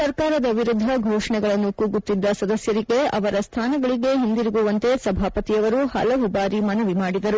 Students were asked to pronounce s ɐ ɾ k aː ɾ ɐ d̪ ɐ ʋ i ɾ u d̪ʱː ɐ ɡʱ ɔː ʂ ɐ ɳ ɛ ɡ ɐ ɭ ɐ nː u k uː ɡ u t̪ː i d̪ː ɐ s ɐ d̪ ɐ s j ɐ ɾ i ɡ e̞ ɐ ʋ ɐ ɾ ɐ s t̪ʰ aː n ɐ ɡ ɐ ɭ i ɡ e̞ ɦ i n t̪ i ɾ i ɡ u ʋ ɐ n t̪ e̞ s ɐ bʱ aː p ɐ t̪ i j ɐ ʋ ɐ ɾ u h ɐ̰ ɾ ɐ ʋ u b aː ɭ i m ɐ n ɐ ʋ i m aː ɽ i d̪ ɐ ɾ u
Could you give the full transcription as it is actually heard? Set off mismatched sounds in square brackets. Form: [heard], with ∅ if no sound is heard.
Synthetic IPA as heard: s ɐ ɾ k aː ɾ ɐ d̪ ɐ ʋ i ɾ u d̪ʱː ɐ ɡʱ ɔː ʂ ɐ ɳ ɛ ɡ ɐ ɭ ɐ nː u k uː ɡ u t̪ː i d̪ː ɐ s ɐ d̪ ɐ s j ɐ ɾ i ɡ e̞ ɐ ʋ ɐ ɾ ɐ s t̪ʰ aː n ɐ ɡ ɐ ɭ i ɡ e̞ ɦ i n [d̪] i ɾ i ɡ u ʋ ɐ n t̪ e̞ s ɐ bʱ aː p ɐ t̪ i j ɐ ʋ ɐ ɾ u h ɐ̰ [l] ɐ ʋ u b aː [ɾ] i m ɐ n ɐ ʋ i m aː ɽ i d̪ ɐ ɾ u